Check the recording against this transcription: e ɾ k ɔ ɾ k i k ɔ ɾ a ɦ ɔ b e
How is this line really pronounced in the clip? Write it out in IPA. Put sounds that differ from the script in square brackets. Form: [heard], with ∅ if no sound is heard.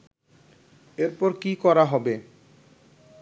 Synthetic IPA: e ɾ [p] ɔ ɾ k i k ɔ ɾ a ɦ ɔ b e